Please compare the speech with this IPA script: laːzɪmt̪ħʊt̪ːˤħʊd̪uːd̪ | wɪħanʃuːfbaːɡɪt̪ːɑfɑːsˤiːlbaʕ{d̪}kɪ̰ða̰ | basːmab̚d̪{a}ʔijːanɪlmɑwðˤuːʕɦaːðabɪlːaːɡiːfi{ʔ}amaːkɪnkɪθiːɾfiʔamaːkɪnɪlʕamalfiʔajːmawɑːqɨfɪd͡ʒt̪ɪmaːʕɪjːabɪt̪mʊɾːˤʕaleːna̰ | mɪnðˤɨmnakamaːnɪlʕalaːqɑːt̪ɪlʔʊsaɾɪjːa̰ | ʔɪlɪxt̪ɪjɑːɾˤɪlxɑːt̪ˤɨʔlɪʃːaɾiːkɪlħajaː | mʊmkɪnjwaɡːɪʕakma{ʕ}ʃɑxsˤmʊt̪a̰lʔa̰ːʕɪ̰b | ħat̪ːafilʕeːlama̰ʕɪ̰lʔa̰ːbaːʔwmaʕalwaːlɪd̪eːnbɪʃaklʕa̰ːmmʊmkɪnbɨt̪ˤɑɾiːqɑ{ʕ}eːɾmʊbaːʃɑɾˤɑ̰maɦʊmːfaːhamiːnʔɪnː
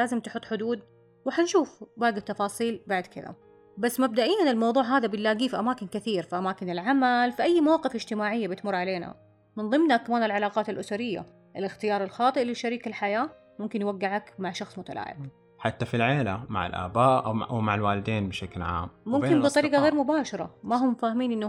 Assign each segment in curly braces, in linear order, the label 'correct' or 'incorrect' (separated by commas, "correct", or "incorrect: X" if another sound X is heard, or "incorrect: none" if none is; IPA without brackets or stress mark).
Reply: correct, correct, correct, correct, incorrect: ɣ